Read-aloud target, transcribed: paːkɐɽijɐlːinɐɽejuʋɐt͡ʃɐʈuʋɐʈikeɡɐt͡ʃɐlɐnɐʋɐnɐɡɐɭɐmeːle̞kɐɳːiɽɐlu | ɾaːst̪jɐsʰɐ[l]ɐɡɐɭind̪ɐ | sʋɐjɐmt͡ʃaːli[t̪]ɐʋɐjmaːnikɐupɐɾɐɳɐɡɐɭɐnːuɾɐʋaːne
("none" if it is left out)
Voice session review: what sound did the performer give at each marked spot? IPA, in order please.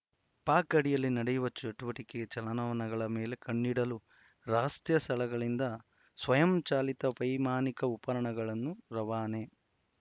l, t̪

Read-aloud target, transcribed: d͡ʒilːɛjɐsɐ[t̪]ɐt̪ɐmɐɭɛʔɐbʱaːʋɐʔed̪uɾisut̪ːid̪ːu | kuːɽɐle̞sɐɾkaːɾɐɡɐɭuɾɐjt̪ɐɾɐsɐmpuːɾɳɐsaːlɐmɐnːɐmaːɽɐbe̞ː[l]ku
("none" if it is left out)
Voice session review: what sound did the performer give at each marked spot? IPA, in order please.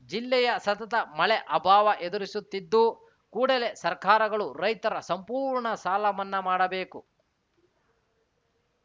t̪, none

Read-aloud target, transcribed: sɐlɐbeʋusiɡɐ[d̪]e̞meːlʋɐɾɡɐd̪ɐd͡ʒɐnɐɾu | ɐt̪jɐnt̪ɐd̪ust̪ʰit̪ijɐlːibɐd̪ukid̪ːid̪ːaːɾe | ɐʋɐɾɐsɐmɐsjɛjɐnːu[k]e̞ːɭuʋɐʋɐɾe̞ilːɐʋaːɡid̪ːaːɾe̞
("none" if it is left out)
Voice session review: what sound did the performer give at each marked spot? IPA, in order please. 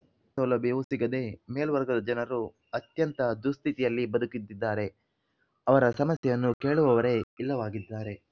d̪, k

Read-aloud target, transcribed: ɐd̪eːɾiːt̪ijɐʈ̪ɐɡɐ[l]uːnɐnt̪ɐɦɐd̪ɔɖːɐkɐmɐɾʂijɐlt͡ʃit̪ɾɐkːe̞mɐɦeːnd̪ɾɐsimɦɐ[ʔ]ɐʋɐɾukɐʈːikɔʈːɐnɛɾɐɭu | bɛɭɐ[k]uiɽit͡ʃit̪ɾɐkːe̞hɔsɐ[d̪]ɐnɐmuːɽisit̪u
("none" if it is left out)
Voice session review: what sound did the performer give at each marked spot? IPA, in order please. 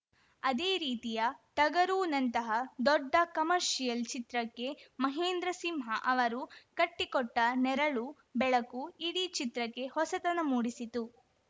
ɾ, ʔ, k, t̪

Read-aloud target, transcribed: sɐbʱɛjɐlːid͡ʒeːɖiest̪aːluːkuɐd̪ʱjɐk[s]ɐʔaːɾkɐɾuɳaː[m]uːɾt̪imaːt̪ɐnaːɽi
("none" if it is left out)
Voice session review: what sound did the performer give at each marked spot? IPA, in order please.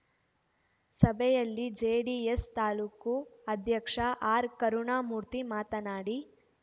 ʂ, m

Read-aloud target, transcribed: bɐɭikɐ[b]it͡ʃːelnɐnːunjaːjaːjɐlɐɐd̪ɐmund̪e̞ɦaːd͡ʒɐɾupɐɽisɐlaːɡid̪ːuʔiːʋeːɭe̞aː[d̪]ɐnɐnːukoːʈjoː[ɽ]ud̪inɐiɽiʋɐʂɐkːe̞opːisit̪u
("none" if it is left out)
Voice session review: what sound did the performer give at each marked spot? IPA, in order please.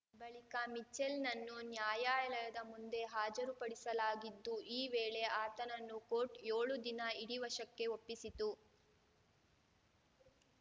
m, t̪, ɭ

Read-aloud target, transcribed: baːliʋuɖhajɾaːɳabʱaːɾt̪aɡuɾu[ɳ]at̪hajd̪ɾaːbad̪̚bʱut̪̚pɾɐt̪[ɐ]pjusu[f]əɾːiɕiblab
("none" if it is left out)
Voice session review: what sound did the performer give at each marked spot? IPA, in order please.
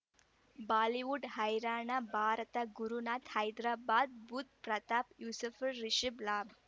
n, a, f

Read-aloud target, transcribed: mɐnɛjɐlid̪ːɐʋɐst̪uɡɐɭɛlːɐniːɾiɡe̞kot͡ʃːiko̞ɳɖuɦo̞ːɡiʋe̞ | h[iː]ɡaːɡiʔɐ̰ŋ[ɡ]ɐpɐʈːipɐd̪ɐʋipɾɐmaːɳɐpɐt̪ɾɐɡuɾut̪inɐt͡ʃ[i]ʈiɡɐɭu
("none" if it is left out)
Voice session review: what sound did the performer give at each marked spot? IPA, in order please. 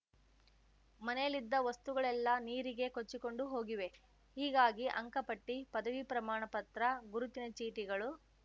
iː, k, iː

